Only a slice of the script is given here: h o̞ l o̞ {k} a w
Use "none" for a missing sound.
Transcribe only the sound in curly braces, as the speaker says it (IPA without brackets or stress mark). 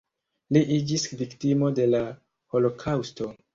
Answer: kʰ